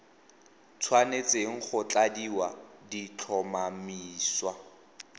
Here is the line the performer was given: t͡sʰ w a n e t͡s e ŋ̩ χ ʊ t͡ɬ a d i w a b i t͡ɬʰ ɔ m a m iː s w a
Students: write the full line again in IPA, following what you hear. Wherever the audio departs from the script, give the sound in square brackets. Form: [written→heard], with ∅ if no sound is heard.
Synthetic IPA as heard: t͡sʰ w a n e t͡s e ŋ̩ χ ʊ t͡ɬ a d i w a [b→d] i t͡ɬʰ ɔ m a m iː s w a